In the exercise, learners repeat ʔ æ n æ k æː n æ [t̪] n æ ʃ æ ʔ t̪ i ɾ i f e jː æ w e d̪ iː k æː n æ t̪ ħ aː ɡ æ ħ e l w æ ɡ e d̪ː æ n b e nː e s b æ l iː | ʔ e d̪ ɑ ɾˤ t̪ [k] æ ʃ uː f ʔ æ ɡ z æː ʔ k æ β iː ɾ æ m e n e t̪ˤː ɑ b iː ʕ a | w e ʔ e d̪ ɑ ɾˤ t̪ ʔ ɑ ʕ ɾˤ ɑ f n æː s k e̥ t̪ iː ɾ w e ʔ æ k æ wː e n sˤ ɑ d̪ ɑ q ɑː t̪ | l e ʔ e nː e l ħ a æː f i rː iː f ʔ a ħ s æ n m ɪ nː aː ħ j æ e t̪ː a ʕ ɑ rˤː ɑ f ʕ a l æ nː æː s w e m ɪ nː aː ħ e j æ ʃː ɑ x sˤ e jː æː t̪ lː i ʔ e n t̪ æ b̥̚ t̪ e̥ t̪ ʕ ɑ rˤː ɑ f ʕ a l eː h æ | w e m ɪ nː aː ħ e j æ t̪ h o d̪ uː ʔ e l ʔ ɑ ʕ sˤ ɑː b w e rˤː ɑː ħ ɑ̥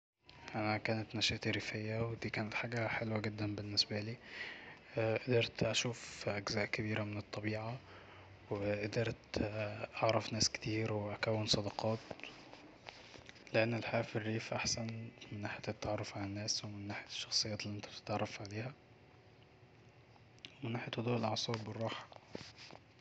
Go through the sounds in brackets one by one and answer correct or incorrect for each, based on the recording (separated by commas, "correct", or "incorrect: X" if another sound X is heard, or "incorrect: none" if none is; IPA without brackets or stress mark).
correct, incorrect: ʔ